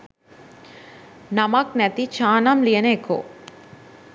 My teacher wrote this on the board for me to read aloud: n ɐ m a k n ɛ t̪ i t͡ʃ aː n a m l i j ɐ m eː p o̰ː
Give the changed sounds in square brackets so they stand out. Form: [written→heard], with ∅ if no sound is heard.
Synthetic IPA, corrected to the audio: n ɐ m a k n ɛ t̪ i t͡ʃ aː n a m l i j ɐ [m→n] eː [p→k] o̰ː